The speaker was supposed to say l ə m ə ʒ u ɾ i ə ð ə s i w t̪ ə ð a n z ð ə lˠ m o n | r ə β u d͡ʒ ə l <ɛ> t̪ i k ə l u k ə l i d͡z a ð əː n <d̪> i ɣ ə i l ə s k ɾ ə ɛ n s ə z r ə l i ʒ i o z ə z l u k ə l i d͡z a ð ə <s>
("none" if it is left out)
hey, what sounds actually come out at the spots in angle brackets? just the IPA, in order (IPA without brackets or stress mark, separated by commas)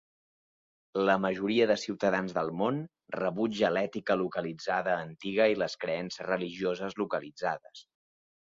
ɛ, t̪, s